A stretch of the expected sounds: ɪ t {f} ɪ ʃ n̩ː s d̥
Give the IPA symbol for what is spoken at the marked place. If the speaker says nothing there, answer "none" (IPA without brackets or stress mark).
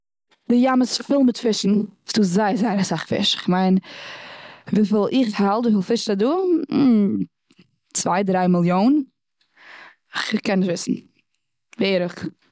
f